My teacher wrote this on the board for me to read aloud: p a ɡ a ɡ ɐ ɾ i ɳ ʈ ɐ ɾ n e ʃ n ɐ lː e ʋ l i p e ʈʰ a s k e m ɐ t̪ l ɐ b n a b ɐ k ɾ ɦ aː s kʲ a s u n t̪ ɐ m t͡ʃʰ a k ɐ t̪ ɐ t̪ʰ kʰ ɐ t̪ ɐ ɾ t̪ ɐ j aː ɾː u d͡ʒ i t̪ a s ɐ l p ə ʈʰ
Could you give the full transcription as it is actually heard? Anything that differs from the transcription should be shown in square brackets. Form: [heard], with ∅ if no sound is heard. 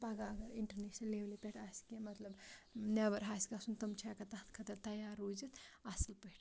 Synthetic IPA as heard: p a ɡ a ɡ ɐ ɾ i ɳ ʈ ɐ ɾ n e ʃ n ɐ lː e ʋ l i p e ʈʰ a s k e m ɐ t̪ l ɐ b n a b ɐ [∅] ɾ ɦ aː s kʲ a s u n t̪ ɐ m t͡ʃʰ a k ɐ t̪ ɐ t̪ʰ kʰ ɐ t̪ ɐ ɾ t̪ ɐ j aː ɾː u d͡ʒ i t̪ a s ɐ l p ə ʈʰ